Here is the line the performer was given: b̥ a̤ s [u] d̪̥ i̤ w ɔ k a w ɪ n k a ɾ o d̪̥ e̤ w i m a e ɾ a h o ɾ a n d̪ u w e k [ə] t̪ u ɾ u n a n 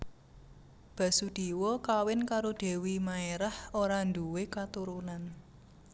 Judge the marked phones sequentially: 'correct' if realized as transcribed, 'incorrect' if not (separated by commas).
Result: correct, incorrect